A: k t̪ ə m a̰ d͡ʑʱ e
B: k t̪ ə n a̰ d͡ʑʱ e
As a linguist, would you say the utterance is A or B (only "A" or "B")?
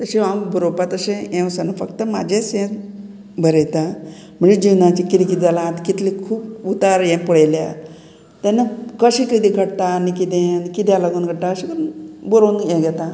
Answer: A